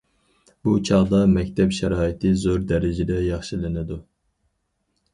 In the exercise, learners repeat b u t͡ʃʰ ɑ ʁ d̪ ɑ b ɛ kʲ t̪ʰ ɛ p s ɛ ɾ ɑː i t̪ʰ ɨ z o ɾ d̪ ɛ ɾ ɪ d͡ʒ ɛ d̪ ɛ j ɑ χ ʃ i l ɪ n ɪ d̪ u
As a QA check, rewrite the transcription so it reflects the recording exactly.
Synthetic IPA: b u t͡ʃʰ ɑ ʁ d̪ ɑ m ɛ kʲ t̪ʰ ɛ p ʃ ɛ ɾ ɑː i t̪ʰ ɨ z o ɾ d̪ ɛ ɾ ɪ d͡ʒ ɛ d̪ ɛ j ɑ χ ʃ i l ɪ n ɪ d̪ u